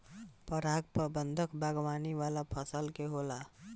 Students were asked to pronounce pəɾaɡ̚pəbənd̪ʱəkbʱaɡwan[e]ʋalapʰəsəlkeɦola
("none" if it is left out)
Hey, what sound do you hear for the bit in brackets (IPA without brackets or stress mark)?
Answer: i